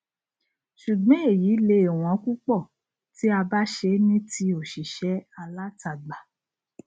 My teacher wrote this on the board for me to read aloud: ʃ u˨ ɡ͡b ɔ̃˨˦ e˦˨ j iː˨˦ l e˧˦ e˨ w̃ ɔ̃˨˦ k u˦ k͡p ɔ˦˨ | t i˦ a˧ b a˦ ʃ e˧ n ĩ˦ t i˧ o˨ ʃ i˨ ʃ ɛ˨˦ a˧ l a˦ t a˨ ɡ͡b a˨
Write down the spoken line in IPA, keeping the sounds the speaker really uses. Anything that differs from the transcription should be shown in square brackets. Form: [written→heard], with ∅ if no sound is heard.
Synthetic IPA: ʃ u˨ ɡ͡b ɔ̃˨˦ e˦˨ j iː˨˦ l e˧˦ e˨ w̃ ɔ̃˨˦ k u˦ k͡p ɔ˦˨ | t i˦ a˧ b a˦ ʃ e˧ n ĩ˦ t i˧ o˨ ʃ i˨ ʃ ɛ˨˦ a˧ l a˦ t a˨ ɡ͡b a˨